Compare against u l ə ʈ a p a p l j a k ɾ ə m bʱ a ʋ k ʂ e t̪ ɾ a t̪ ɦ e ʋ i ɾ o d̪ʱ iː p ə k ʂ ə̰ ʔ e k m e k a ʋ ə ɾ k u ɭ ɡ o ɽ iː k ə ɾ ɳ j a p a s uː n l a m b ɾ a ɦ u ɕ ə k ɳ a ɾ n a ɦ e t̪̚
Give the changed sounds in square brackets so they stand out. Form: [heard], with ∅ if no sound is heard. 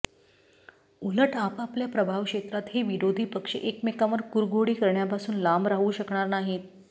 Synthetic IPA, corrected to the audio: u l ə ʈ a p a p l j a [p] ɾ ə [∅] bʱ a ʋ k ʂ e t̪ ɾ a t̪ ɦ e ʋ i ɾ o d̪ʱ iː p ə k ʂ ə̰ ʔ e k m e k a ʋ ə ɾ k u [ɾ] ɡ o ɽ iː k ə ɾ ɳ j a p a s uː n l a m b ɾ a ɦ u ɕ ə k ɳ a ɾ n a ɦ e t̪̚